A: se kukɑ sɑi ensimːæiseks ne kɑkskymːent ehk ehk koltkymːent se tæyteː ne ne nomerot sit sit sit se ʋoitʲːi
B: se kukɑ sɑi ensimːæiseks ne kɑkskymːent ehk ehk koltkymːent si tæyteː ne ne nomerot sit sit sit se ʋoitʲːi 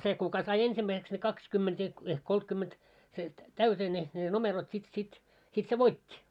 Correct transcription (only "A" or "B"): A